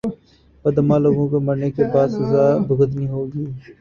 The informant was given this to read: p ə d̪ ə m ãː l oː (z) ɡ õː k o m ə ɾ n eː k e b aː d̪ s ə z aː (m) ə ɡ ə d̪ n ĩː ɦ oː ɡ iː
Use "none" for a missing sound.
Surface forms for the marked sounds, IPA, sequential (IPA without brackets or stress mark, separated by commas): none, b